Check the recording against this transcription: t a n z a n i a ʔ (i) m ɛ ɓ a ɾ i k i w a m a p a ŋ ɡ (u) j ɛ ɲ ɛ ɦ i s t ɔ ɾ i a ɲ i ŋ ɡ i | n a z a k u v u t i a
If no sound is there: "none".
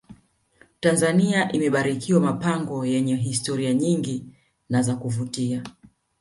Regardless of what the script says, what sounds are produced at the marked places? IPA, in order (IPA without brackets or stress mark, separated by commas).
i, ɔ